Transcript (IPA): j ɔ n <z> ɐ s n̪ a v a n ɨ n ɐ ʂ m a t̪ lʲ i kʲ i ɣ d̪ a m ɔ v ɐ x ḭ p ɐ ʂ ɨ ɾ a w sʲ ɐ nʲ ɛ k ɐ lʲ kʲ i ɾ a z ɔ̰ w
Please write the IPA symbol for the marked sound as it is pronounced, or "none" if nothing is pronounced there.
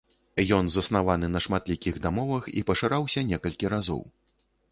z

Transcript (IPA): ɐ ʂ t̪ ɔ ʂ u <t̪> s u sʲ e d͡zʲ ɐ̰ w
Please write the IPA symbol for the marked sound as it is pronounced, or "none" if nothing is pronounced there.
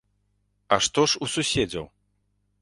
none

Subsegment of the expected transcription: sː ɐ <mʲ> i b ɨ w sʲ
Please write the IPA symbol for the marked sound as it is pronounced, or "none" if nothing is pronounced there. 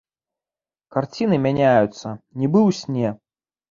nʲ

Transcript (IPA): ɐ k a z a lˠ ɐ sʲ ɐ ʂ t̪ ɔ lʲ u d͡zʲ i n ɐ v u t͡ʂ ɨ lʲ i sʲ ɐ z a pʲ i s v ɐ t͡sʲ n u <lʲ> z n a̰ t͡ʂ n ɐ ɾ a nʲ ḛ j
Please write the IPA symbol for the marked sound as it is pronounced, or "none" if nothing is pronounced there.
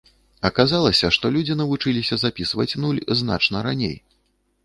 lʲ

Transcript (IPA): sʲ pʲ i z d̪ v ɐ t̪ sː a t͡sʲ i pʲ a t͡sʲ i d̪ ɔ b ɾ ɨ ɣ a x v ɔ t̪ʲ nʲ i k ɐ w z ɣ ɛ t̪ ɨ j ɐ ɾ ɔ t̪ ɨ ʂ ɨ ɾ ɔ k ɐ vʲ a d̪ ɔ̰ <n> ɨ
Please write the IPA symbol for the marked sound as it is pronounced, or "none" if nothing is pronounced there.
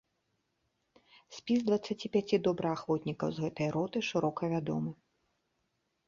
m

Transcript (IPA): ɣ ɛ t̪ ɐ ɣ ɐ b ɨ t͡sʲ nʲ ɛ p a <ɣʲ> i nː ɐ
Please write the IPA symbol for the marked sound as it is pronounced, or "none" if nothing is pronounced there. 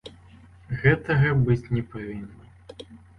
vʲ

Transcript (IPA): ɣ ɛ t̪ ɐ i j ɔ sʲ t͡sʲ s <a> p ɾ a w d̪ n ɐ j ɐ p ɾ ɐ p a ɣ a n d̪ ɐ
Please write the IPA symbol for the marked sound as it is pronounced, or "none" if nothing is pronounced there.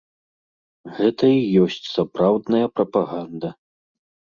a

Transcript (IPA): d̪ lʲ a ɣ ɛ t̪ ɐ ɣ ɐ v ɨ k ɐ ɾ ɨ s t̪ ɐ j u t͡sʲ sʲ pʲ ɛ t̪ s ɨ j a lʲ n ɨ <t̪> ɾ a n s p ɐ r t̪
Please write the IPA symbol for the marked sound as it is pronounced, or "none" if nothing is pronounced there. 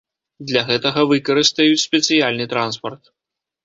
t̪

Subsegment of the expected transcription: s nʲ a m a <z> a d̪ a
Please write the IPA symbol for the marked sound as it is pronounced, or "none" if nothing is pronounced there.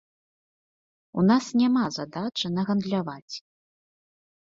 z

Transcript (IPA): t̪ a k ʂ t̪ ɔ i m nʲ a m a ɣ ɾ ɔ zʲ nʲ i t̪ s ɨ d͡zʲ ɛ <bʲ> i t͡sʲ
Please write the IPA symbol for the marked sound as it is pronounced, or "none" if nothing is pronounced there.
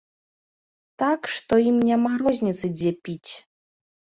pʲ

